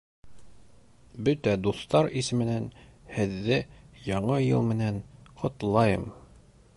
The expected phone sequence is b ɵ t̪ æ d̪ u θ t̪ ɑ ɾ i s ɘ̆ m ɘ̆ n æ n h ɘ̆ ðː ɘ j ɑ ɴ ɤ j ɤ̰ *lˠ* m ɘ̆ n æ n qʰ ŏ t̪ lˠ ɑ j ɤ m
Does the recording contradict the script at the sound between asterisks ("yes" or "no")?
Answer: no